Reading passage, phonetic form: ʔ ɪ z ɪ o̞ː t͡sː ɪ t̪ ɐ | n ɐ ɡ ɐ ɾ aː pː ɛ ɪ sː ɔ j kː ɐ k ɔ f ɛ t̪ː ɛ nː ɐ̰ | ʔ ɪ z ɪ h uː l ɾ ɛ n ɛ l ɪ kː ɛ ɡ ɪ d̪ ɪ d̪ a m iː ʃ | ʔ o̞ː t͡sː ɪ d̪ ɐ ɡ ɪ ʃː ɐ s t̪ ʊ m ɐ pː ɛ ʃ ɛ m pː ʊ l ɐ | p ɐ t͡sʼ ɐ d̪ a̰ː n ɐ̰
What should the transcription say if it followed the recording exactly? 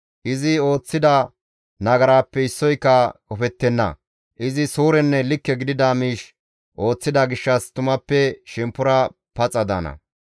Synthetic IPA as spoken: ʔ ɪ z ɪ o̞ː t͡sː ɪ d̪ ɐ | n ɐ ɡ ɐ ɾ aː pː ɛ ɪ sː ɔ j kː ɐ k ɔ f ɛ t̪ː ɛ nː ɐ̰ | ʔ ɪ z ɪ s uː ɾ ɛ nː ɛ l ɪ kː ɛ ɡ ɪ d̪ ɪ d̪ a m iː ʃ | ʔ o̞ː t͡sː ɪ d̪ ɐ ɡ ɪ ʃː ɐ s t̪ ʊ m ɐ pː ɛ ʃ ɛ m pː ʊ ɾ ɐ | p ɐ t͡sʼ ɐ d̪ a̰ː n ɐ̰